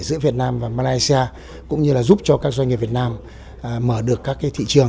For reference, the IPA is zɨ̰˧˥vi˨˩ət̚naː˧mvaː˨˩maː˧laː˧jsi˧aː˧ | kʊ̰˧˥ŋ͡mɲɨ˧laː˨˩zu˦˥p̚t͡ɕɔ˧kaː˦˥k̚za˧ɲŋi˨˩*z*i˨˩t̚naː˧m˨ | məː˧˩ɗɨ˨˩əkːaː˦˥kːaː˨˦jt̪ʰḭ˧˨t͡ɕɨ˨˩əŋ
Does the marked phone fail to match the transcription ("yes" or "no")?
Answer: yes